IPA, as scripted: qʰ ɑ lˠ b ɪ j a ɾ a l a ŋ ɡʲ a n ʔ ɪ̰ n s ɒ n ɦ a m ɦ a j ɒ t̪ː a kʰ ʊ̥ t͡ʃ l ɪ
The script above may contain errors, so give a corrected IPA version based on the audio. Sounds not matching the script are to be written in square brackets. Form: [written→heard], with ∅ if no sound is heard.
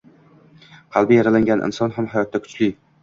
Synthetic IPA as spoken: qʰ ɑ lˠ b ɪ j a ɾ a l a ŋ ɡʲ a n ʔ ɪ̰ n s ɒ n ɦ a m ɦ a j ɒ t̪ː a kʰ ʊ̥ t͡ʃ l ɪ